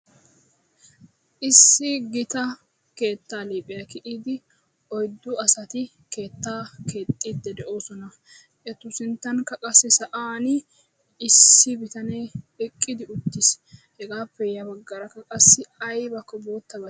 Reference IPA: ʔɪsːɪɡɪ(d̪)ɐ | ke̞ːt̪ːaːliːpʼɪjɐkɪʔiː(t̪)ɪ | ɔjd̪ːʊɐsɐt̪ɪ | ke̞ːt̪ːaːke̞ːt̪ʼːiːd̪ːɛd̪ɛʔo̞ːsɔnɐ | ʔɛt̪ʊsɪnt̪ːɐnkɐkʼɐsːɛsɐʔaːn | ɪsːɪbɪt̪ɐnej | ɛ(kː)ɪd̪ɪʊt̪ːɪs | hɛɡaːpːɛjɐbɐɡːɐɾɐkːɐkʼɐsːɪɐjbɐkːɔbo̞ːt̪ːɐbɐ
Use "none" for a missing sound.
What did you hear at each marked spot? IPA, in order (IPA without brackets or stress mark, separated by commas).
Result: t̪, d̪, kʼː